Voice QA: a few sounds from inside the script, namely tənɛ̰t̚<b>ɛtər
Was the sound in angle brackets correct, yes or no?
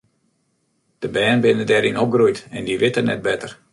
yes